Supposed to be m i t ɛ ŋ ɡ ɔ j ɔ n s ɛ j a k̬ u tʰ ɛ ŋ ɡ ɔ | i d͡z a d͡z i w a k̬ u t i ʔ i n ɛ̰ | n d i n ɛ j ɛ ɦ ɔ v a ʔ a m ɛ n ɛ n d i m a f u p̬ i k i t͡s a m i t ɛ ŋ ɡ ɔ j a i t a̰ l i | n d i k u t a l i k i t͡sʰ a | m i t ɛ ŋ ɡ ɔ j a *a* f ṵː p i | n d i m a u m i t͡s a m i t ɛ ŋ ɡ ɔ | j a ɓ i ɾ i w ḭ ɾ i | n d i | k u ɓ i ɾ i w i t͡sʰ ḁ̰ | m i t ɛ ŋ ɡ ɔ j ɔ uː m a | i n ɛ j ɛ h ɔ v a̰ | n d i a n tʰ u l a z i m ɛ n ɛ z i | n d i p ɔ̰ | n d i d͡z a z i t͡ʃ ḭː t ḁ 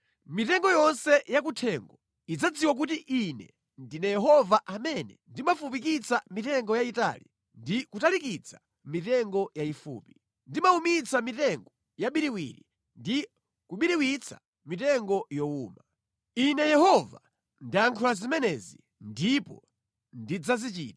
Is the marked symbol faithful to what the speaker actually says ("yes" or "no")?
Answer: no